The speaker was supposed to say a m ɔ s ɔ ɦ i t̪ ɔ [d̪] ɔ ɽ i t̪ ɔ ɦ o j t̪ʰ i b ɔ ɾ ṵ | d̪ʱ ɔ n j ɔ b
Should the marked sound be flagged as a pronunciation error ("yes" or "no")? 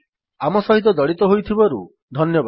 no